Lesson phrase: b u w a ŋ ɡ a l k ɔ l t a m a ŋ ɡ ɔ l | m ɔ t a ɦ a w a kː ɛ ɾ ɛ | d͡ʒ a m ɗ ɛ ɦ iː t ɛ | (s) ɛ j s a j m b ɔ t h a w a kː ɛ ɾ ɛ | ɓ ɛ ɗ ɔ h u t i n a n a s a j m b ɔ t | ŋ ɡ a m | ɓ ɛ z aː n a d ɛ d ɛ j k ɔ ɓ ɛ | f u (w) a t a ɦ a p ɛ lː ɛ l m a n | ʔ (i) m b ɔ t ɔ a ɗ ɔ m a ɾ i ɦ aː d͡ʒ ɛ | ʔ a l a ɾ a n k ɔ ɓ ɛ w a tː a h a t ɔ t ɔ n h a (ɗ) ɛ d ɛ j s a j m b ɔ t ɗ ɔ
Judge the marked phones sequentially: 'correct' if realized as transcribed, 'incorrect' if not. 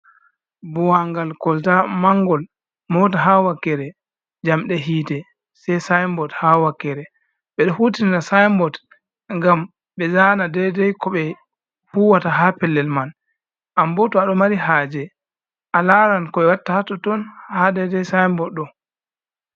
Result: correct, correct, incorrect, incorrect

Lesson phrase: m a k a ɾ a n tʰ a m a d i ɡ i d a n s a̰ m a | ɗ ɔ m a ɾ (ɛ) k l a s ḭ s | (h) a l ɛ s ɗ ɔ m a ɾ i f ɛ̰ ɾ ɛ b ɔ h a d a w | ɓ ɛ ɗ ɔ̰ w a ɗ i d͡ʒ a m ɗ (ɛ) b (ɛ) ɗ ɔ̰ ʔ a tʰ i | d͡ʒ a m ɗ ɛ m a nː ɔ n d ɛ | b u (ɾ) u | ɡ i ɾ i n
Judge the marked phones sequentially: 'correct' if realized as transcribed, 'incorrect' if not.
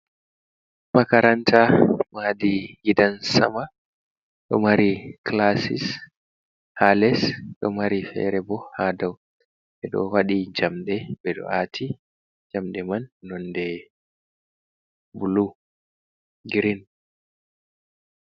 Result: incorrect, correct, correct, correct, incorrect

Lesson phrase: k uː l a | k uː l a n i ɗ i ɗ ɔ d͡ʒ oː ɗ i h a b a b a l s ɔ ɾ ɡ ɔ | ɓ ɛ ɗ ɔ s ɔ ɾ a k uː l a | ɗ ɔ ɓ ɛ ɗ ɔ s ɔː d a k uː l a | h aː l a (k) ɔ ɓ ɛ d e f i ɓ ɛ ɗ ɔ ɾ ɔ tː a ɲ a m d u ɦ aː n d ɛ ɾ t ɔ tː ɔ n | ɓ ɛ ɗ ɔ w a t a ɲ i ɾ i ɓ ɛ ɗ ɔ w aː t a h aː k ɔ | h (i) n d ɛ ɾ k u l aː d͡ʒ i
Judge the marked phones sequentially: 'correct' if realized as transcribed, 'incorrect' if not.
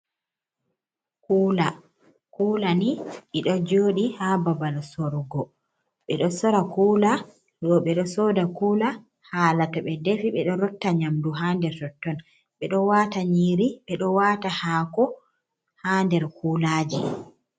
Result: incorrect, incorrect

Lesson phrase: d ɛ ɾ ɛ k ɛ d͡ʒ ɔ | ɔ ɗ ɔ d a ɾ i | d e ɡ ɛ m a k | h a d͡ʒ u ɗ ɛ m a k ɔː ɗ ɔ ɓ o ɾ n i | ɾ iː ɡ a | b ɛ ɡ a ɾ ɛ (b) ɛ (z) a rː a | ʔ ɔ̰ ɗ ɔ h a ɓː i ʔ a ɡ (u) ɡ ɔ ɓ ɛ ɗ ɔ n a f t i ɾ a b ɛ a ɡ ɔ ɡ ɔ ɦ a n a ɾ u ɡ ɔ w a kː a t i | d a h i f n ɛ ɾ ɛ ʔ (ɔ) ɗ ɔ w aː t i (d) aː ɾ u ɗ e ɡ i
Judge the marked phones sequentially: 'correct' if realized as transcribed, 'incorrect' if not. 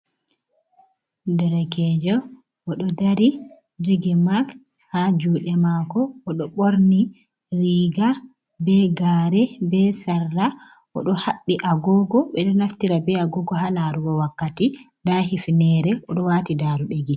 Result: correct, incorrect, incorrect, correct, correct

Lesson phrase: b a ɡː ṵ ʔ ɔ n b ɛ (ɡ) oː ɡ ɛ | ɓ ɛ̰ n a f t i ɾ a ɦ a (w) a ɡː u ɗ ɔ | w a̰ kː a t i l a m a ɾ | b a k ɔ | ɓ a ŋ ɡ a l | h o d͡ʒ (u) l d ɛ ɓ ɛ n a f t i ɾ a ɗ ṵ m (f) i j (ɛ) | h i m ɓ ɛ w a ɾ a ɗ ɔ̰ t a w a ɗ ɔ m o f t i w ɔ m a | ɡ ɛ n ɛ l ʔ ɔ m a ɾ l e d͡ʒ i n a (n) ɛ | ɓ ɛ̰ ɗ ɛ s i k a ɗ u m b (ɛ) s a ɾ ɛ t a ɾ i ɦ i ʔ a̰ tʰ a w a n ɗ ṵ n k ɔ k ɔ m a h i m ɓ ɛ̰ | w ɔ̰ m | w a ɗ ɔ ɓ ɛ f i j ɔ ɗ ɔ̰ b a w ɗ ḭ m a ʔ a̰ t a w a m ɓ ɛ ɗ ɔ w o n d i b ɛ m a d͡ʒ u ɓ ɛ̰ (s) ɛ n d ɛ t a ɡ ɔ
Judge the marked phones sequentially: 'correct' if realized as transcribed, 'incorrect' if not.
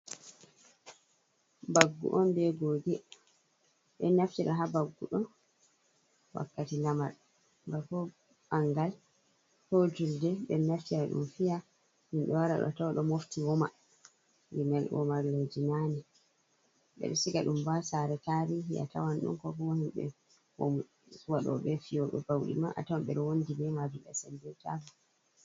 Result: correct, incorrect, correct, correct, incorrect, correct, incorrect, correct

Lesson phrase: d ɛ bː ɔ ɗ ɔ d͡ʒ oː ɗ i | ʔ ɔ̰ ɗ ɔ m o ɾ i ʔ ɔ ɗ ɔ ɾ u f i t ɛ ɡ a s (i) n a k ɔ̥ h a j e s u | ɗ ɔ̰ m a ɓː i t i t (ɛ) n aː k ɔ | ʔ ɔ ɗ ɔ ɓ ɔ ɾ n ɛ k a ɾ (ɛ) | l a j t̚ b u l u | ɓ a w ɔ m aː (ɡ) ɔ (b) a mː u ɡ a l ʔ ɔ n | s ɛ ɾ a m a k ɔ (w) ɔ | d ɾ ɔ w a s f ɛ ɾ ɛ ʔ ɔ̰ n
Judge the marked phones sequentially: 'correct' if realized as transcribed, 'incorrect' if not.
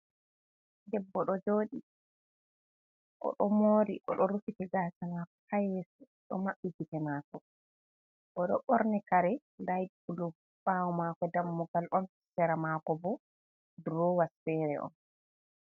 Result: incorrect, correct, correct, incorrect, incorrect, incorrect

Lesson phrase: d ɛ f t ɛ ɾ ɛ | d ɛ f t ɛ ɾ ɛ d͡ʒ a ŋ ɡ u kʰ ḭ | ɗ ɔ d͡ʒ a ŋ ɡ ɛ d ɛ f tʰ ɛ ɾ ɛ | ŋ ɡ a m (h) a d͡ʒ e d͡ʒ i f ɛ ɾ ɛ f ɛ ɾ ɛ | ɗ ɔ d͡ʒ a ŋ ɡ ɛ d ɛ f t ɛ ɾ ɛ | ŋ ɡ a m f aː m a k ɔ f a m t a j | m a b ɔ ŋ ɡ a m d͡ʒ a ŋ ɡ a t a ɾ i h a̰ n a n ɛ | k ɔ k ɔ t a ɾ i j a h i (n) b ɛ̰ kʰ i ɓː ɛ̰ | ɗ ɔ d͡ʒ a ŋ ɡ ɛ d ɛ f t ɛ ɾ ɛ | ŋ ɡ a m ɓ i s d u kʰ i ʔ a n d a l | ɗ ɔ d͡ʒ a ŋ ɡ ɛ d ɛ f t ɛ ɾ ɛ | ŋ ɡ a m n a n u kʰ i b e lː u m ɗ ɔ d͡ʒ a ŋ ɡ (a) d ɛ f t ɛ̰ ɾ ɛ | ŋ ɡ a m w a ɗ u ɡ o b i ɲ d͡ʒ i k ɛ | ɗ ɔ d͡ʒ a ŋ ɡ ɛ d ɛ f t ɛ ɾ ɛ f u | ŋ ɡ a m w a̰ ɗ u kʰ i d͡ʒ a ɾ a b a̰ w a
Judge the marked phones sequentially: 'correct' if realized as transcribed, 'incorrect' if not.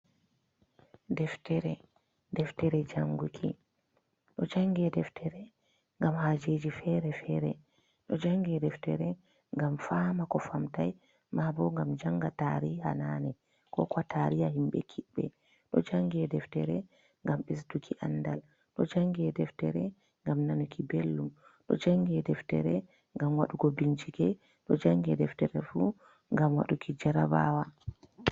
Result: correct, incorrect, incorrect

